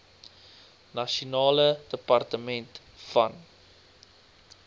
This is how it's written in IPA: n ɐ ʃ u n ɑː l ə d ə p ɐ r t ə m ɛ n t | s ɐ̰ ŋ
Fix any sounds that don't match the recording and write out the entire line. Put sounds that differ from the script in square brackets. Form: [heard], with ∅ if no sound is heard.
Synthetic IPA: n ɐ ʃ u n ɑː l ə d ə p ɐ r t ə m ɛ n t | [f] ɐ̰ [n]